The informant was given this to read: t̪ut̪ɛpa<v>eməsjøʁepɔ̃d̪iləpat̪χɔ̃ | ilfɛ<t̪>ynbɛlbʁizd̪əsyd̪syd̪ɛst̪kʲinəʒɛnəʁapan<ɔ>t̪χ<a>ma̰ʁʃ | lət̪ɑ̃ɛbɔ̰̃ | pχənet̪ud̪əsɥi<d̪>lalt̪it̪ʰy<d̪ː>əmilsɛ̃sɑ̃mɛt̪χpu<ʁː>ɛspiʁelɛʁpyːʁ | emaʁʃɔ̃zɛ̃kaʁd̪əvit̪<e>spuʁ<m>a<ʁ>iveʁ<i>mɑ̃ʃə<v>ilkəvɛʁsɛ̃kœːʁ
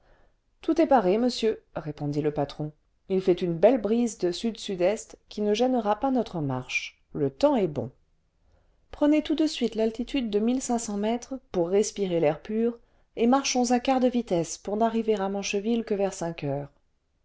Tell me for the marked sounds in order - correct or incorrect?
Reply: incorrect, correct, correct, incorrect, incorrect, correct, correct, incorrect, incorrect, correct, incorrect, correct

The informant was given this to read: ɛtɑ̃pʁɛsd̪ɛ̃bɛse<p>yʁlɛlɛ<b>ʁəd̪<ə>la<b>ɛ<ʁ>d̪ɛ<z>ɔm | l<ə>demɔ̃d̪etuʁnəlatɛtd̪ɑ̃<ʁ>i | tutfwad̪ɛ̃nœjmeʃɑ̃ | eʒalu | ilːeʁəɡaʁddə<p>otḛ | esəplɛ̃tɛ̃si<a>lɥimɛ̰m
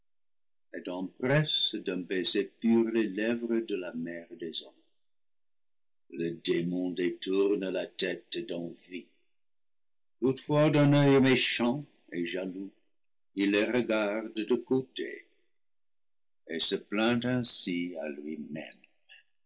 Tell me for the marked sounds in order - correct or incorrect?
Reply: correct, incorrect, correct, incorrect, correct, correct, correct, incorrect, incorrect, correct

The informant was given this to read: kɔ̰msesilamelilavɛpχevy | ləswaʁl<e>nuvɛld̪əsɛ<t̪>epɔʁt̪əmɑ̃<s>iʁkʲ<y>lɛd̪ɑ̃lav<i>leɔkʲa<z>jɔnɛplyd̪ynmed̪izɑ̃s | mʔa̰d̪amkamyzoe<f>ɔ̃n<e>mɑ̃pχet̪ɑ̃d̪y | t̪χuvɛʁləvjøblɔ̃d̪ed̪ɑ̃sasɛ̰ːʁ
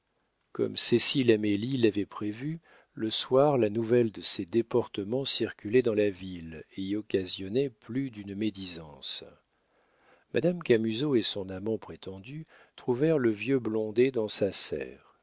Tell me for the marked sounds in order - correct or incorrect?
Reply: incorrect, incorrect, correct, correct, correct, correct, incorrect, incorrect

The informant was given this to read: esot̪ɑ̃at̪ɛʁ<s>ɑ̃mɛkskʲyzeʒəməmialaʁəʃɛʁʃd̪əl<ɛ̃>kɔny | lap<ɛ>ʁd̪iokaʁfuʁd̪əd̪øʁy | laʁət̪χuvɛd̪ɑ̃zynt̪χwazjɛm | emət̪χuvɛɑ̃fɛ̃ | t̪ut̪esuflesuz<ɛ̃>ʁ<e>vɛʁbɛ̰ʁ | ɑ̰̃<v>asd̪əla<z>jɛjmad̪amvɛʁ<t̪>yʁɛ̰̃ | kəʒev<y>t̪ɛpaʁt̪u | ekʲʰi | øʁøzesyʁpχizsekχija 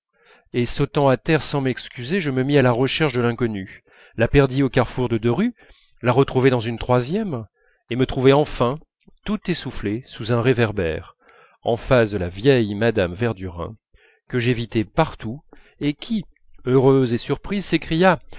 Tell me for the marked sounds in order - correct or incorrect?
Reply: correct, correct, correct, correct, correct, incorrect, incorrect, incorrect, incorrect

